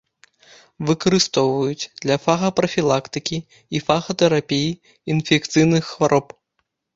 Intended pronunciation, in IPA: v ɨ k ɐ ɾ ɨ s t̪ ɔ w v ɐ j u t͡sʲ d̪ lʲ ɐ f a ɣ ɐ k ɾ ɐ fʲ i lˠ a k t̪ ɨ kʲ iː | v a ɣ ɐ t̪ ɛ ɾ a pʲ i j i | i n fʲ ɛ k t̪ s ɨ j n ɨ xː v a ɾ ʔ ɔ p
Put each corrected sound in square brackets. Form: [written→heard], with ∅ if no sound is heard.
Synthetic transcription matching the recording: v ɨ k ɐ ɾ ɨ s t̪ ɔ w v ɐ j u t͡sʲ d̪ lʲ ɐ f a ɣ ɐ [k→p] ɾ ɐ fʲ i lˠ a k t̪ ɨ kʲ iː | [v→f] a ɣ ɐ t̪ ɛ ɾ a pʲ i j i | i n fʲ ɛ k t̪ s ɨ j n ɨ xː v a ɾ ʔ ɔ p